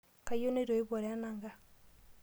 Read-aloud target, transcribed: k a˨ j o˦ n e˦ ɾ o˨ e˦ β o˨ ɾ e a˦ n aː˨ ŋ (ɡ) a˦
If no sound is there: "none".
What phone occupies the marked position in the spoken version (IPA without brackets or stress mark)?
ɡ